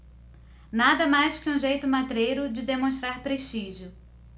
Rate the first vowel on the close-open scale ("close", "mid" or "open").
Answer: open